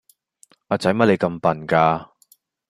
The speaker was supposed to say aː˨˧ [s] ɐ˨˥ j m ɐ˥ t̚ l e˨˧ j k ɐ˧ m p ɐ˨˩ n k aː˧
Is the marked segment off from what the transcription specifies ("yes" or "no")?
yes